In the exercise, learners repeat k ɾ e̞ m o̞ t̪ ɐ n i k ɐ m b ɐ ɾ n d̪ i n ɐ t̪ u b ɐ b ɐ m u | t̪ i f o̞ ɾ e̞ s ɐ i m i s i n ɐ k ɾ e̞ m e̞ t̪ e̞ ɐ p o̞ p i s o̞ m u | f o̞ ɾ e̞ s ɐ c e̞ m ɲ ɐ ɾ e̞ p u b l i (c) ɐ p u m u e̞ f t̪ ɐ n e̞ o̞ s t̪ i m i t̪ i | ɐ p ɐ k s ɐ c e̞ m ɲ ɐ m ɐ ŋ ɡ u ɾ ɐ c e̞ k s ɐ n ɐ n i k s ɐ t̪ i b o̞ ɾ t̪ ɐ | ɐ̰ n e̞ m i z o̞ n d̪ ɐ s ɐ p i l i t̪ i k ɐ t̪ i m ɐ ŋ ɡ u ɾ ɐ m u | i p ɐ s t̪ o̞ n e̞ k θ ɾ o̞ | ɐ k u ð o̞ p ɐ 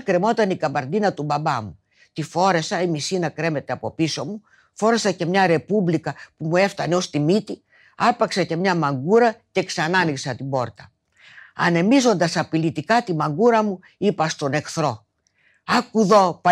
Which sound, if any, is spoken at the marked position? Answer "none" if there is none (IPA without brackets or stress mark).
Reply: k